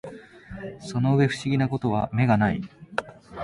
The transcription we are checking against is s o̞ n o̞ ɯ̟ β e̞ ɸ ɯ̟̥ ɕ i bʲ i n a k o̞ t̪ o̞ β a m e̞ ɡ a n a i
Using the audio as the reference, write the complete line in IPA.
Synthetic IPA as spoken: s o̞ n o̞ ɯ̟ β e̞ ɸ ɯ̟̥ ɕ i ɡʲ i n a k o̞ t̪ o̞ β a m e̞ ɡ a n a i